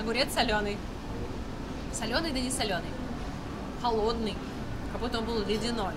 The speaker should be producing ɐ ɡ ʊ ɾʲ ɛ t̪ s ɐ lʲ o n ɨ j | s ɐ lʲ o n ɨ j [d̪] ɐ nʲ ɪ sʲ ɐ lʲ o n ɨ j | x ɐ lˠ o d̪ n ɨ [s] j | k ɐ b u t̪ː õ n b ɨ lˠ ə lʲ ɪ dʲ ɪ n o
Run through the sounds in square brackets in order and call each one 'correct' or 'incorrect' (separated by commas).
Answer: correct, incorrect